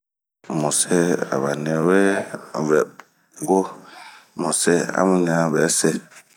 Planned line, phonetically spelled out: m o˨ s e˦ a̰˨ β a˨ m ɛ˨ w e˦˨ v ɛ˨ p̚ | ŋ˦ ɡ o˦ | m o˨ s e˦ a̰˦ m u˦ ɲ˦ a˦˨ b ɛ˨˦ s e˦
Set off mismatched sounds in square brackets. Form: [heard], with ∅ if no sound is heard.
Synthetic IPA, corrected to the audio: m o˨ s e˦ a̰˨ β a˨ [n] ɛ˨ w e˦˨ v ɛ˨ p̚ | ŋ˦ ɡ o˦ | m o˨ s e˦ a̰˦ m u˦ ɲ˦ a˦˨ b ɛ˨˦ s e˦